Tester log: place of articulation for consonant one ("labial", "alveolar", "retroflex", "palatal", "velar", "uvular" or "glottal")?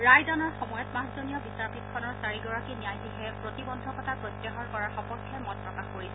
alveolar